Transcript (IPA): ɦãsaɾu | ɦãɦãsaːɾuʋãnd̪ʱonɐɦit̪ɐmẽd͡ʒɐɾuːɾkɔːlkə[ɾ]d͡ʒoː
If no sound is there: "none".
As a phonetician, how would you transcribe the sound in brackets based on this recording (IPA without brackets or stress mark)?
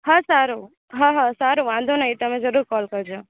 ɾ